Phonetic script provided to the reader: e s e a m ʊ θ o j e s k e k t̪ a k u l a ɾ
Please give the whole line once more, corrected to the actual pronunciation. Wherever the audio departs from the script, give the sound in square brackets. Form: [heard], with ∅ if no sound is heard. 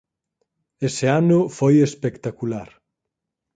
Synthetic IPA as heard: e s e a [n] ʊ [f] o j e s [p] e k t̪ a k u l a ɾ